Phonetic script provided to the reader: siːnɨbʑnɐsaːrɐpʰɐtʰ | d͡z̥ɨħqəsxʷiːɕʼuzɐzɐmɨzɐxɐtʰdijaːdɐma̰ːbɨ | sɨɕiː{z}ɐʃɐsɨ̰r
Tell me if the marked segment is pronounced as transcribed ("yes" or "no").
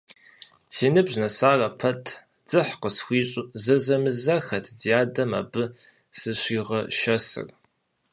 no